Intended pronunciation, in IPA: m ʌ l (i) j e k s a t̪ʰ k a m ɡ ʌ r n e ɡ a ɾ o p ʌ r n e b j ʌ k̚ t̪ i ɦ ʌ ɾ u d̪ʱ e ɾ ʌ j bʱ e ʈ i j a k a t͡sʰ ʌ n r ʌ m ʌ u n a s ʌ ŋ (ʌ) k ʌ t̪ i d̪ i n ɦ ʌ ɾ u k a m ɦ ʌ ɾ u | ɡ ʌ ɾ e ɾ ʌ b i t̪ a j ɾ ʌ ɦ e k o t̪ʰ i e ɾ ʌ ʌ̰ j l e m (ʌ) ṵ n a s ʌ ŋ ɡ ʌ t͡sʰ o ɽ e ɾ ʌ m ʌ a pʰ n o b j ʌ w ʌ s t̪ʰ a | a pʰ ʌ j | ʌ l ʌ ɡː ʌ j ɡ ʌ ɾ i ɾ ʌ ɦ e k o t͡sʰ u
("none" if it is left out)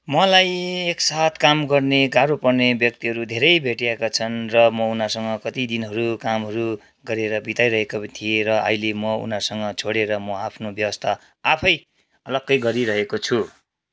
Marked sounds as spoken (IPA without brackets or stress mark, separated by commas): a, ʌ, ʌ